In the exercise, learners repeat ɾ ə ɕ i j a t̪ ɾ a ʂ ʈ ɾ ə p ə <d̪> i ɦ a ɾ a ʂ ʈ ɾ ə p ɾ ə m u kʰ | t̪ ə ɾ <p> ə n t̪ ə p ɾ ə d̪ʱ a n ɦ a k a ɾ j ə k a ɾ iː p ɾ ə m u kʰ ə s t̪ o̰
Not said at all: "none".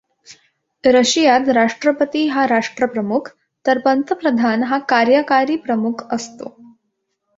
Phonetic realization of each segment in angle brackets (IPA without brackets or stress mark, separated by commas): t̪, p